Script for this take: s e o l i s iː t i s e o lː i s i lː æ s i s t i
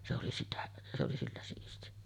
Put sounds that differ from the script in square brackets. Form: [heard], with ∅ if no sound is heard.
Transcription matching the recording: s e o l i s [i] t [æ] s e o [l] i s i lː æ s [iː] s t i